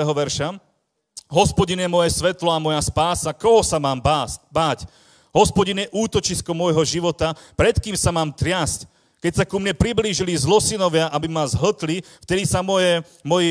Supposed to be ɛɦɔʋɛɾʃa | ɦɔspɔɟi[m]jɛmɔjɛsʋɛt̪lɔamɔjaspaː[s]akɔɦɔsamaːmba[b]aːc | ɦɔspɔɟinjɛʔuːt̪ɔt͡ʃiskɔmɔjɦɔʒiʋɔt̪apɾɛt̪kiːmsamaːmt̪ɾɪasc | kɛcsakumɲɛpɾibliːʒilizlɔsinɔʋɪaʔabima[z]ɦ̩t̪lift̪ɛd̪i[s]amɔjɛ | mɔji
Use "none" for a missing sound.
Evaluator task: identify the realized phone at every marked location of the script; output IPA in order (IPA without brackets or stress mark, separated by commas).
n, s, b, z, s